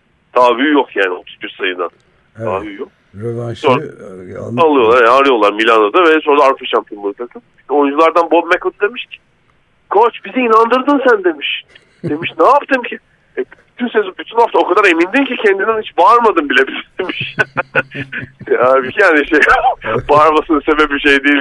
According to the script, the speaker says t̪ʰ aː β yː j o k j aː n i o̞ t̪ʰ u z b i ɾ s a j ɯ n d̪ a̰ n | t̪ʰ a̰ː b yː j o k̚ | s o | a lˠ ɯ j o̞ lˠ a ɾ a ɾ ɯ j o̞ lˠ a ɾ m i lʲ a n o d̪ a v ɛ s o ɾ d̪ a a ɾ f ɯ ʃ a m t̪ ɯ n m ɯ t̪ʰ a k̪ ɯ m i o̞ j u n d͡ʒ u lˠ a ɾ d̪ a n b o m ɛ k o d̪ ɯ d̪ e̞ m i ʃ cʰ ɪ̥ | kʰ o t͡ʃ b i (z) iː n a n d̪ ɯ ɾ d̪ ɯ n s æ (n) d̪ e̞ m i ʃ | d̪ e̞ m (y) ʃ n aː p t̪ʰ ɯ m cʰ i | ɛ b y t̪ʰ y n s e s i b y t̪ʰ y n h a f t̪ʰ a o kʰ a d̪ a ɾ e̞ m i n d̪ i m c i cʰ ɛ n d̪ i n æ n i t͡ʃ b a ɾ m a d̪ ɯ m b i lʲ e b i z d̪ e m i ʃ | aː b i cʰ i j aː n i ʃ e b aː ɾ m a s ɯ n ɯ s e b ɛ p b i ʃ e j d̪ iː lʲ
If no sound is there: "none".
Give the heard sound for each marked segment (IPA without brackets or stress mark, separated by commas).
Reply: z, n, i